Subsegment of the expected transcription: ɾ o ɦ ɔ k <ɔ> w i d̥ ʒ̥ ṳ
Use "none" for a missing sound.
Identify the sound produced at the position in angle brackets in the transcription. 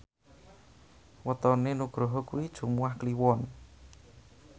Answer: u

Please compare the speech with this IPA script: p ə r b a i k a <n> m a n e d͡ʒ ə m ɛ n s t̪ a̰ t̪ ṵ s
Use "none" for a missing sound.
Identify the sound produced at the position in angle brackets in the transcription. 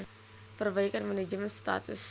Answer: n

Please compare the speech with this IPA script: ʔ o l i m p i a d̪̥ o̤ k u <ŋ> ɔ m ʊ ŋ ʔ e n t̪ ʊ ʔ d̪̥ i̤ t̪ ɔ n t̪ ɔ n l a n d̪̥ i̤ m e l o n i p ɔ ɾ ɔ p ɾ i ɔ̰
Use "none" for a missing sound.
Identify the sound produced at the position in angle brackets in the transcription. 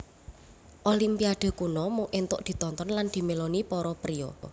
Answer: n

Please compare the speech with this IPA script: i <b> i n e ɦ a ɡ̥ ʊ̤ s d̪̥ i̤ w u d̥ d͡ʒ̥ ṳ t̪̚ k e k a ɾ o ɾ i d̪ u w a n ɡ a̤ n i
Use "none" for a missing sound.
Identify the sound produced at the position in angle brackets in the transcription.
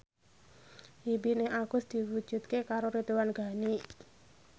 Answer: b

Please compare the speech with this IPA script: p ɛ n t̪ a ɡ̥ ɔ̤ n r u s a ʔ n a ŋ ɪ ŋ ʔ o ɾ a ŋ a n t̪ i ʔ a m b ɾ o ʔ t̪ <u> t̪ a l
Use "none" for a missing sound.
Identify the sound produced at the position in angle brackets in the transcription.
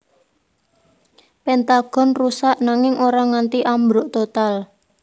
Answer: o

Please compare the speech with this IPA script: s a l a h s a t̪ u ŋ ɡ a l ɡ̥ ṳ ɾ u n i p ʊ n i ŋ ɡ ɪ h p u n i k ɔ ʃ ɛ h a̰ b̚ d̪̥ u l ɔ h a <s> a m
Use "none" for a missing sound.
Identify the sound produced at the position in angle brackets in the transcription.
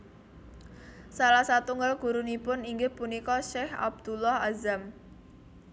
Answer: z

